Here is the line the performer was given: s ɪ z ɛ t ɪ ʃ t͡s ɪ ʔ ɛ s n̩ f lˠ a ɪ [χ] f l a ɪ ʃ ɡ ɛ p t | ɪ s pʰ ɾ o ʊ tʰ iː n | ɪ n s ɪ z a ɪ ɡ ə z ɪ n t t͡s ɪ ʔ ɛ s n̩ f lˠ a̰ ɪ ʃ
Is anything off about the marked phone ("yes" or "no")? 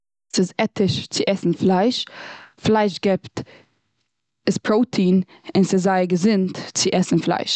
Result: yes